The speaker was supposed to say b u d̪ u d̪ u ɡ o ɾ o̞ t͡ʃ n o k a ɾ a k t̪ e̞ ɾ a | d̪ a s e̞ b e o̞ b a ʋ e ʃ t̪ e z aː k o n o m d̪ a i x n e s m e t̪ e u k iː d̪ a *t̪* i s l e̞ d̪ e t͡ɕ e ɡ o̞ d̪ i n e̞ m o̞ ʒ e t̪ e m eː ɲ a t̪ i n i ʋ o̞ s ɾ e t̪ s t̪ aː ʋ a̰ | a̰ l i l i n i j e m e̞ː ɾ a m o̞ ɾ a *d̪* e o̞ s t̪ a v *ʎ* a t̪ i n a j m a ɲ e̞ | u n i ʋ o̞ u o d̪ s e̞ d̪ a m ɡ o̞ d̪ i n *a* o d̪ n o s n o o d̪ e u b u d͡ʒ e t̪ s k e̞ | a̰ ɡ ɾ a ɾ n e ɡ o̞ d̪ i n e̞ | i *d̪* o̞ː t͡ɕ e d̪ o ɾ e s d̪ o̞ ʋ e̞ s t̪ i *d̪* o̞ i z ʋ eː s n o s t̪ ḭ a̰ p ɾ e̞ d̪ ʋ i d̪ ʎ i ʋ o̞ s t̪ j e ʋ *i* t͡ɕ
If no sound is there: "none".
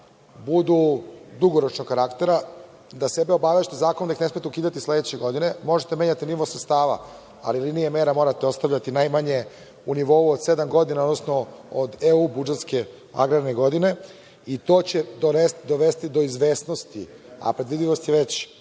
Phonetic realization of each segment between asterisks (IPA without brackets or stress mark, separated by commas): t̪, t̪, ʎ, a, t̪, d̪, e